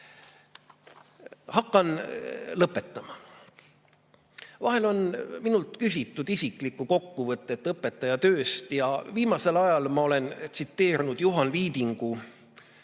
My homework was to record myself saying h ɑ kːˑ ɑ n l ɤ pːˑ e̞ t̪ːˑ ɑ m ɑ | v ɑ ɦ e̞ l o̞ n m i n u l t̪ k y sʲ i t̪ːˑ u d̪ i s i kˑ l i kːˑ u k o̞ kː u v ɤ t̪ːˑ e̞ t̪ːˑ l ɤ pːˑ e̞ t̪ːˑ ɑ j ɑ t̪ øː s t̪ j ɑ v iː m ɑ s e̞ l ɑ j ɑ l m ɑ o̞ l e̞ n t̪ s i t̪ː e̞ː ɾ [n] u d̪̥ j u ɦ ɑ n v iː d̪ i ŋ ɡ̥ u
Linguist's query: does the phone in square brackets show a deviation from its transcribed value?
no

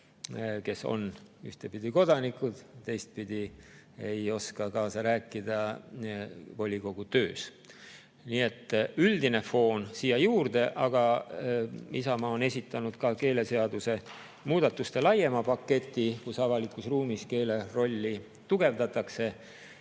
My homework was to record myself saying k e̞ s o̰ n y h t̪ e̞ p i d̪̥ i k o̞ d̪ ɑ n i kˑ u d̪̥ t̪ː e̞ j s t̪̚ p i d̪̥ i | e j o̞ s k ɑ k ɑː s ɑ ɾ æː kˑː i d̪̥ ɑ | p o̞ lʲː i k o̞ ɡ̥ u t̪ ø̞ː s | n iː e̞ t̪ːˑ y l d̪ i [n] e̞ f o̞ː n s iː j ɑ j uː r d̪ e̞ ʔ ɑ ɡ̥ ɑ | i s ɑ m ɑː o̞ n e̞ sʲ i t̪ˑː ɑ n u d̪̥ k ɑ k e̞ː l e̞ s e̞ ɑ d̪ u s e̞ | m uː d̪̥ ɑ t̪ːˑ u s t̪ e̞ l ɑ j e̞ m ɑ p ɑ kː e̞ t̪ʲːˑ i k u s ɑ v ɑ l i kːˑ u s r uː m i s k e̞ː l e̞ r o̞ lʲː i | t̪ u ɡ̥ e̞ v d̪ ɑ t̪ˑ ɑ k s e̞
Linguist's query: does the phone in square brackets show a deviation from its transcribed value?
no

